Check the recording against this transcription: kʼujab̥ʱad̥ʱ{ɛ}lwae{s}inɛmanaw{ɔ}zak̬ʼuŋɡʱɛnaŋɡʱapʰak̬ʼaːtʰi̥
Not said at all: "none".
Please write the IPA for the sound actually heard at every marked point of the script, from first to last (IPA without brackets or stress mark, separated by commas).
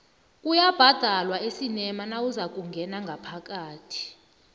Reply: a, s, u